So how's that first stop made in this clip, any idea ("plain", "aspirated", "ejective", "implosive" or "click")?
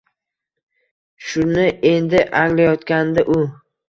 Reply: plain